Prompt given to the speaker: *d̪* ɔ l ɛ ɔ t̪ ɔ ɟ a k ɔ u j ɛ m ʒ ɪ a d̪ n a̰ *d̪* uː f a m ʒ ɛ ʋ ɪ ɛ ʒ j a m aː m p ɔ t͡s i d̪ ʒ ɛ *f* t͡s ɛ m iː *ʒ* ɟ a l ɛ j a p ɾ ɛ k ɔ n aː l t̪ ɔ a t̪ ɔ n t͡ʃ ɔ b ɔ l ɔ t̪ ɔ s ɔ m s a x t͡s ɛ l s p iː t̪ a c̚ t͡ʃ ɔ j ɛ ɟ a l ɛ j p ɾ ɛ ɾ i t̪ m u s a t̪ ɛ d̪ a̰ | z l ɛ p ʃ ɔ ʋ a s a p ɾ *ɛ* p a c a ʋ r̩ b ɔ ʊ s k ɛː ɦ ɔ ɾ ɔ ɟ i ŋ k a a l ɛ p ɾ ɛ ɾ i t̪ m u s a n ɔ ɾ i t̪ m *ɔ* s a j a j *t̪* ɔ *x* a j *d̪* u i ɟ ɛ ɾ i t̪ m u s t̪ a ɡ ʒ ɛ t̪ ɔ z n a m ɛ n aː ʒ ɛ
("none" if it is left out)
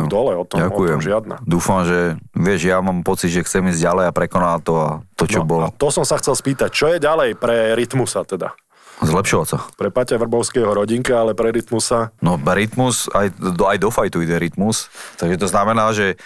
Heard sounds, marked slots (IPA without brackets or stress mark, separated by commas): d̪, d̪, x, z, ɛ, u, d̪, f, t̪